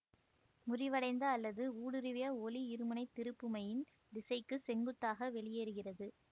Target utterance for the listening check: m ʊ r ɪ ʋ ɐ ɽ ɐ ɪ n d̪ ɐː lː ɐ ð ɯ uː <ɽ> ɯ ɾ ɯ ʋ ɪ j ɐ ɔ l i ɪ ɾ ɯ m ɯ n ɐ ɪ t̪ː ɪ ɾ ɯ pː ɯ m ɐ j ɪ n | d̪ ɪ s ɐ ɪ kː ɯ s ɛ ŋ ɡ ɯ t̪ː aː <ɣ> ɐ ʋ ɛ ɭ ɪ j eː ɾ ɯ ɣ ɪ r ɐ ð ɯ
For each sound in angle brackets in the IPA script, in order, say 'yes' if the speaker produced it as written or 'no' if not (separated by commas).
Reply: yes, yes